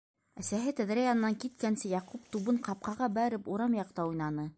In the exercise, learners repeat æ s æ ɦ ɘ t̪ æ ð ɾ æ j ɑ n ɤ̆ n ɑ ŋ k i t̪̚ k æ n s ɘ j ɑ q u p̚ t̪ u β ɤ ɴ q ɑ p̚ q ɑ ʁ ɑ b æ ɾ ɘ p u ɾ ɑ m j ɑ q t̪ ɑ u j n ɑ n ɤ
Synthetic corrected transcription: æ s æ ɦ ɘ t̪ æ ð ɾ æ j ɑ n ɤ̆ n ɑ ŋ k i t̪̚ k æ n s ɘ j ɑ q u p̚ t̪ u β ɤ ɴ q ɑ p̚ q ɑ ʁ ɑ b æ ɾ ɘ p u ɾ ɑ m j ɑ q t̪ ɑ u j n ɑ n ɤ